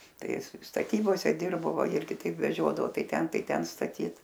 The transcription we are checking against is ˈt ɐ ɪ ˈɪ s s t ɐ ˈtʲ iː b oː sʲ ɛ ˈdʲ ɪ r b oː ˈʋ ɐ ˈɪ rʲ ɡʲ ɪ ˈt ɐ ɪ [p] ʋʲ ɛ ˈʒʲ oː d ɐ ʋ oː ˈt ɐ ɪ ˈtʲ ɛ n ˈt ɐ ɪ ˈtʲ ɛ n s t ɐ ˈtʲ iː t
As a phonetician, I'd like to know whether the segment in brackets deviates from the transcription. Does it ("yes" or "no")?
no